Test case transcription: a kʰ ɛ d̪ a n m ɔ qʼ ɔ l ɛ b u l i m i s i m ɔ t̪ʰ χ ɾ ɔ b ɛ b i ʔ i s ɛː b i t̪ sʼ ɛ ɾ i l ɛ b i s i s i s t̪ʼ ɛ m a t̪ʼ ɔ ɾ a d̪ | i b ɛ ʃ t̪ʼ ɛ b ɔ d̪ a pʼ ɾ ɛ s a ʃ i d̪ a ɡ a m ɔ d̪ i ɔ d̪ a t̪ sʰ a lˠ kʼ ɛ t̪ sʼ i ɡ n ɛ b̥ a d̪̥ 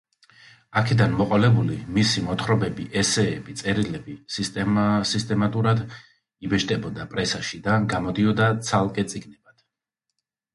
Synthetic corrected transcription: a kʰ ɛ d̪ a n m ɔ qʼ ɔ l ɛ b u l i m i s i m ɔ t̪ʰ χ ɾ ɔ b ɛ b i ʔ ɛ s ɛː b i t̪ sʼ ɛ ɾ i l ɛ b i s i s i s t̪ʼ ɛ m a t̪ʼ u ɾ a d̪ | i b ɛ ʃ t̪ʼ ɛ b ɔ d̪ a pʼ ɾ ɛ s a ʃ i d̪ a ɡ a m ɔ d̪ i ɔ d̪ a t̪ sʰ a lˠ kʼ ɛ t̪ sʼ i ɡ n ɛ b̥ a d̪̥